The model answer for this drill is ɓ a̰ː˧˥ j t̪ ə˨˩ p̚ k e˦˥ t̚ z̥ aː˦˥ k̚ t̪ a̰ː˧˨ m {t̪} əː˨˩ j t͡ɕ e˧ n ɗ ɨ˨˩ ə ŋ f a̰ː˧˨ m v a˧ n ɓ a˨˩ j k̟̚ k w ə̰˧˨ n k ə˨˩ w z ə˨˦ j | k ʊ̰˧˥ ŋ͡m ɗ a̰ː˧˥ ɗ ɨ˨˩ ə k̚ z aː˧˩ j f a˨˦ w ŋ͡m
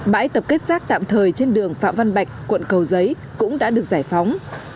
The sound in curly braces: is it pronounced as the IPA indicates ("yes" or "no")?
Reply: no